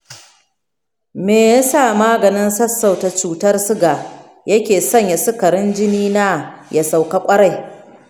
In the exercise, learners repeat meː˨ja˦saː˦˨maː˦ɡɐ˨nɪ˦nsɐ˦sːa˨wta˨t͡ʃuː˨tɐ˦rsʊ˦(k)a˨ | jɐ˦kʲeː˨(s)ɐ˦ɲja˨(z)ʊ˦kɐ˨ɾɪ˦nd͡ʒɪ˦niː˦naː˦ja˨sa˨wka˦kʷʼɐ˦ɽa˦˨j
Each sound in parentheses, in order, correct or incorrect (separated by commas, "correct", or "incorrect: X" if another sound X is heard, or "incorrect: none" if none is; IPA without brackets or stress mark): incorrect: ɡ, correct, incorrect: s